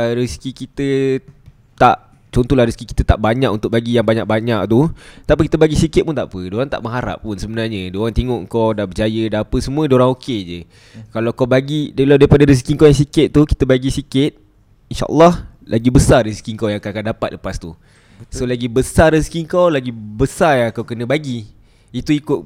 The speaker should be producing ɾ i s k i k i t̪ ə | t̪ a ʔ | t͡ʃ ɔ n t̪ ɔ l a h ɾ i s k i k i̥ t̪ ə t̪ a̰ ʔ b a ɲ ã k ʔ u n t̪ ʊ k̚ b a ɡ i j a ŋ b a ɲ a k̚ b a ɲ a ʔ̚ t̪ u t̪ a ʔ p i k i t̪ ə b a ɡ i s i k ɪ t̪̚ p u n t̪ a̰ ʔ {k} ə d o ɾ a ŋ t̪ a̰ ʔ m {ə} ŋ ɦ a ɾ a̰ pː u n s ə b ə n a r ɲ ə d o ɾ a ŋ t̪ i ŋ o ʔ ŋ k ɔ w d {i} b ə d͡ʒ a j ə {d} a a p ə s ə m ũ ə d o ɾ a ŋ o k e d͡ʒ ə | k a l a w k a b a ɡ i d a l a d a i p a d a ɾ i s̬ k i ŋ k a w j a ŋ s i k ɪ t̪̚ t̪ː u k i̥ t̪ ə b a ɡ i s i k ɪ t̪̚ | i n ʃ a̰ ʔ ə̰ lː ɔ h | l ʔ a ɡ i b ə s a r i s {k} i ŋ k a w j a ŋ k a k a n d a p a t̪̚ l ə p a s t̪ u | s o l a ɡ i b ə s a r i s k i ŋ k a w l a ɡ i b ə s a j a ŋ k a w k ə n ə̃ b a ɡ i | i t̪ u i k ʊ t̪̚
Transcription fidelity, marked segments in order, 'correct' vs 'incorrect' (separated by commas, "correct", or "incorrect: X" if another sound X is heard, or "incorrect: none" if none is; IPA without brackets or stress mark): incorrect: p, correct, incorrect: a, correct, correct